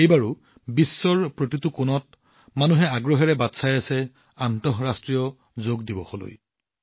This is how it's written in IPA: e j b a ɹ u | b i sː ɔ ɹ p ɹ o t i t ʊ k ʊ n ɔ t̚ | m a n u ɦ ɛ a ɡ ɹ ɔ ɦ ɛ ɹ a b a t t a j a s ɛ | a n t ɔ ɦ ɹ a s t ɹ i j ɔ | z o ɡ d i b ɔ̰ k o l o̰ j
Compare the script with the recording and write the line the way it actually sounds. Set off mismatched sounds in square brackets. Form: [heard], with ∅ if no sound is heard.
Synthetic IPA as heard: e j b a ɹ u | b i sː ɔ ɹ p ɹ o t i t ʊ k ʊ n ɔ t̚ | m a n u ɦ ɛ a ɡ ɹ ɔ ɦ ɛ ɹ [ɛ] b a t [s] a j a s ɛ | a n t ɔ ɦ ɹ a s t ɹ i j ɔ | z o ɡ d i b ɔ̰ [x] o l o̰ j